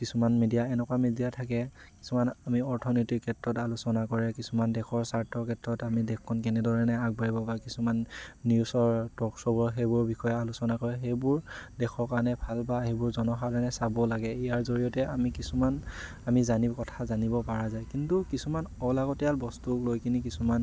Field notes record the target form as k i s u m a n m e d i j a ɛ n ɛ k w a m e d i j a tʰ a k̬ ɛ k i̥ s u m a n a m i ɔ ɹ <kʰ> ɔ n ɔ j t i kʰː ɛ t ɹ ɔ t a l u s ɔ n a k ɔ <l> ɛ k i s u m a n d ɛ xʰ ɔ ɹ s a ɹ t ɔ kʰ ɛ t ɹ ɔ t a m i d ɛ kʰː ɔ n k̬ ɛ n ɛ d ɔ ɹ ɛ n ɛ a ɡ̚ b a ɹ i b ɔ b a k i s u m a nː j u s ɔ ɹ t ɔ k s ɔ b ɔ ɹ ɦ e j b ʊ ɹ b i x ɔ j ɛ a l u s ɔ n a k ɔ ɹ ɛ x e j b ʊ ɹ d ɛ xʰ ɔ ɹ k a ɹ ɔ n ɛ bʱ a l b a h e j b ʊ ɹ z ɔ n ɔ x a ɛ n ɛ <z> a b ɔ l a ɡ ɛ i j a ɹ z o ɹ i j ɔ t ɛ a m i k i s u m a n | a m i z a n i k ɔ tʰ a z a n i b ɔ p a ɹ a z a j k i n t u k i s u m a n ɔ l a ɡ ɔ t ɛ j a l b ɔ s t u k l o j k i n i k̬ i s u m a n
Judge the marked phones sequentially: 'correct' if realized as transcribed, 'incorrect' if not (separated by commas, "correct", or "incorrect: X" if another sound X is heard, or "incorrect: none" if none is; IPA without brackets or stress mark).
incorrect: tʰ, incorrect: ɹ, incorrect: s